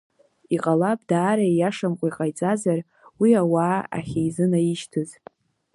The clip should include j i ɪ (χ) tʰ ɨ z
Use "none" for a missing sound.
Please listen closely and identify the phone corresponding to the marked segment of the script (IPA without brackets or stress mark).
ʃ